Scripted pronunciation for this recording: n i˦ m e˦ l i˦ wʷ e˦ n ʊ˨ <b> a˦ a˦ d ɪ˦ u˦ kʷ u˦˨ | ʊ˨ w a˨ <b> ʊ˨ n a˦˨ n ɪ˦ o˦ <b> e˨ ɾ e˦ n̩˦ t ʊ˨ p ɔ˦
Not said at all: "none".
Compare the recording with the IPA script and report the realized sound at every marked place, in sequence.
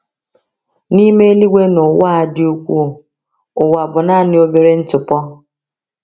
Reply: w, b, b

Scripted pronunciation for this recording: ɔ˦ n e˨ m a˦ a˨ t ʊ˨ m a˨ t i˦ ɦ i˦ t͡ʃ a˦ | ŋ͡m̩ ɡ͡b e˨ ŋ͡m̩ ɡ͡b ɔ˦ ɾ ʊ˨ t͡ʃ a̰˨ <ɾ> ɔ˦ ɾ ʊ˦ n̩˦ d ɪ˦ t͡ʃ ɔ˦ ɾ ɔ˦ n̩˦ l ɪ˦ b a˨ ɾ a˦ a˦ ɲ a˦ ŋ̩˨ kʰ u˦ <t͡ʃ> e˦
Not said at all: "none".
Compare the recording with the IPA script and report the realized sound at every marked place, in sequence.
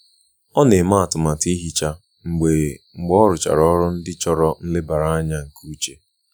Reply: ɾ, t͡ʃ

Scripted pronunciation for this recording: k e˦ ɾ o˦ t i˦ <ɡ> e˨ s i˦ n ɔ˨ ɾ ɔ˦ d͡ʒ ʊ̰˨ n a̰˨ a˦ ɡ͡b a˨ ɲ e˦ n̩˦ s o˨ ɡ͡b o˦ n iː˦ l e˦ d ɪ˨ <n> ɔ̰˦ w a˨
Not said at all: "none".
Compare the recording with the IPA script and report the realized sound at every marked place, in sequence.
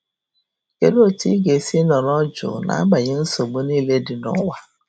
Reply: ɡ, n

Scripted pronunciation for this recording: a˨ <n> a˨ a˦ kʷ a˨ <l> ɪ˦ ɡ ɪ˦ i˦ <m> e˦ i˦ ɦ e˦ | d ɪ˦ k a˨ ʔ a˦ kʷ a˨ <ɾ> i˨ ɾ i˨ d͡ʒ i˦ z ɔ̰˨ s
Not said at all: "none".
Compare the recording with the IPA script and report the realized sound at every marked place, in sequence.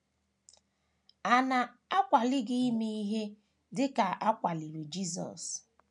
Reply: n, l, m, l

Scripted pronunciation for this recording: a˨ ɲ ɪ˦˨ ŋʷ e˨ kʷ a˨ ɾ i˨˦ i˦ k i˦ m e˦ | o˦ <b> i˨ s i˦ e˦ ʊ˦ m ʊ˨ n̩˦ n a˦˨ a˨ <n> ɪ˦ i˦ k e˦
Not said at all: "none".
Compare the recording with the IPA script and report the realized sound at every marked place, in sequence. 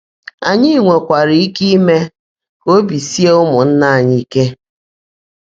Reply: b, ɲ

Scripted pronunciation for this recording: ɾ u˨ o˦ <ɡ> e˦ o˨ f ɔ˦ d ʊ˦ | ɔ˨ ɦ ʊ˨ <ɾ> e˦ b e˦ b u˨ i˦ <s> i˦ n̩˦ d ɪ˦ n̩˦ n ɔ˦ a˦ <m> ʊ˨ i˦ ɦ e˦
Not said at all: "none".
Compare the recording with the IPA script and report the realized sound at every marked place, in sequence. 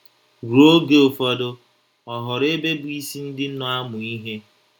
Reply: ɡ, ɾ, s, m

